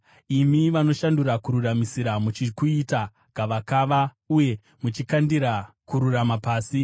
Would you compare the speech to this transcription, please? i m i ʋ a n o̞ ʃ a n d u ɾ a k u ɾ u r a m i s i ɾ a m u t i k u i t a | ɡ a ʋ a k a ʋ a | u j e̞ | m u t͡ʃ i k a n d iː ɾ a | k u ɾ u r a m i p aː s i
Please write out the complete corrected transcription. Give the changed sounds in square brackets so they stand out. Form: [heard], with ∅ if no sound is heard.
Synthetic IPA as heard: i m i ʋ a n o̞ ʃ a n d u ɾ a k u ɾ u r a m i s i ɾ a m u [t͡ʃ] i k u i t a | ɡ a ʋ a k a ʋ a | u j e̞ | m u t͡ʃ i k a n d [i] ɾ a | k u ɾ u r a m [a] p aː s i